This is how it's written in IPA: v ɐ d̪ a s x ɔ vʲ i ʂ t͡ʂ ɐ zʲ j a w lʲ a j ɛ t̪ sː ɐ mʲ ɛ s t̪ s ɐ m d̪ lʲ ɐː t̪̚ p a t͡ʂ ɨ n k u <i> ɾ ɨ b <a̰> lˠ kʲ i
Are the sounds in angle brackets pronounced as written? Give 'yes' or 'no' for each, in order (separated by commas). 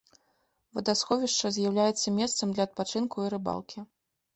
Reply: yes, yes